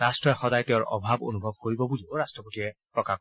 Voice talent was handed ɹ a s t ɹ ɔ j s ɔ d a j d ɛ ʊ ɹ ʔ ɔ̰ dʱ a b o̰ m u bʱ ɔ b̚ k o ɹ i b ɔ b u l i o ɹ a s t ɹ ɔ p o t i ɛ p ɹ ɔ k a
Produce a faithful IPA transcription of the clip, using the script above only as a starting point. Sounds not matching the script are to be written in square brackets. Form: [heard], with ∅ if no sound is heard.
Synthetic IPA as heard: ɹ a s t ɹ ɔ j [x] ɔ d a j [t] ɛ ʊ ɹ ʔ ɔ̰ [bʱ] a b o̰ [n] u bʱ ɔ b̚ k o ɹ i b ɔ b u l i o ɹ a s t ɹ ɔ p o t i ɛ p ɹ ɔ k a